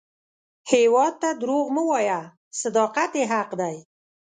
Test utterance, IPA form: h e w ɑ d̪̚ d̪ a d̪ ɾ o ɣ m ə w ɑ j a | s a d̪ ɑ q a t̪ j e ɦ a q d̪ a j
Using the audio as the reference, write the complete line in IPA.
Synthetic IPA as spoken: h e w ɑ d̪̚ t̪ a d̪ ɾ o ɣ m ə w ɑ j a | s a d̪ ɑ q a t̪ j e ɦ a q d̪ a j